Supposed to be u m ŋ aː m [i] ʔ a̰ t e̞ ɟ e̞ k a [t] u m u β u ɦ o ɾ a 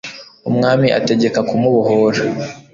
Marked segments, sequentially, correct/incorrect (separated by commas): correct, incorrect